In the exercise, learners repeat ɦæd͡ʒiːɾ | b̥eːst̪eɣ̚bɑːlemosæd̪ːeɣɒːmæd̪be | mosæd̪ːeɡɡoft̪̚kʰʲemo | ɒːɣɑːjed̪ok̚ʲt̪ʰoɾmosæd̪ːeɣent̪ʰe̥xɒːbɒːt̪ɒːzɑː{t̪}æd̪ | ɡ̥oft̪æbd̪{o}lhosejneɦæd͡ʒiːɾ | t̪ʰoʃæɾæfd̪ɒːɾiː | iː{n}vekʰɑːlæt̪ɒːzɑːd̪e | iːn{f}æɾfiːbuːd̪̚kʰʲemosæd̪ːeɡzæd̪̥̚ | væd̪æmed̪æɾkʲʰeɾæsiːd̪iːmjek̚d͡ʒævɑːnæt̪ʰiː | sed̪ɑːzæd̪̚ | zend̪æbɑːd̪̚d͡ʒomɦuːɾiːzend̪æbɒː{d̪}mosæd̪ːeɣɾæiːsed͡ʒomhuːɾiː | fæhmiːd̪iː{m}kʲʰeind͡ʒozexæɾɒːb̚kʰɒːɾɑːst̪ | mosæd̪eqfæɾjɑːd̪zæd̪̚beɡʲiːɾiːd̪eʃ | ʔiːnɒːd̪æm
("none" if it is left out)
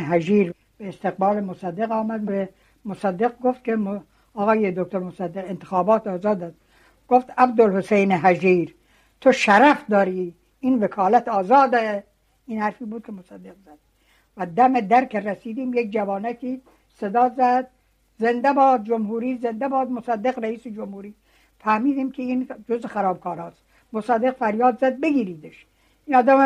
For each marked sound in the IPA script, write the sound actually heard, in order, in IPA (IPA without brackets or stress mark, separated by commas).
d̪, o, n, h, d̪, m